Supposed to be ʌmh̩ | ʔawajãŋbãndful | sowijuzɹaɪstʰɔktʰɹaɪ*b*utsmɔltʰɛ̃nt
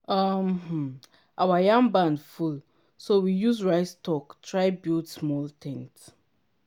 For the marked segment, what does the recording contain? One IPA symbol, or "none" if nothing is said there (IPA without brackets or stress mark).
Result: b